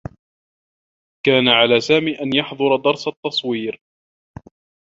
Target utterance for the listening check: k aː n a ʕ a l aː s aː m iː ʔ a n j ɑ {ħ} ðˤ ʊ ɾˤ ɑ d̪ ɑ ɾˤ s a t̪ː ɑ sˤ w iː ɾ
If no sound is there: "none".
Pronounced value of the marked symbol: ħ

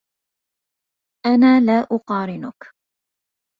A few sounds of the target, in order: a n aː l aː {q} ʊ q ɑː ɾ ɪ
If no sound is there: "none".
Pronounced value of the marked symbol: ʔ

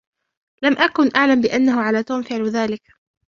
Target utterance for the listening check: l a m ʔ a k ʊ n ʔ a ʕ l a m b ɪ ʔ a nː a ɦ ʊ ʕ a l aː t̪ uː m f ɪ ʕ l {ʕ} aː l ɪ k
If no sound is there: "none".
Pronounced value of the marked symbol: ð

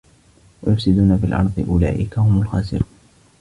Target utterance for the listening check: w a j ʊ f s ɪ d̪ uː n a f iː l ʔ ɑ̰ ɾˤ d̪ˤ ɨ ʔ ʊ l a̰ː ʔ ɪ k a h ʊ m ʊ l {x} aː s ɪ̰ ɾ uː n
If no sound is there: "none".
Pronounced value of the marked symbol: x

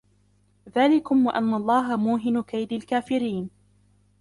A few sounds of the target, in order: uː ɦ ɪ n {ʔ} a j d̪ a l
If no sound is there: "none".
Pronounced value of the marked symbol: k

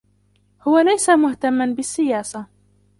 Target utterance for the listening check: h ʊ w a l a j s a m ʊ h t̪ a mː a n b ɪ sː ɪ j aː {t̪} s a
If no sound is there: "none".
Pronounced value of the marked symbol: none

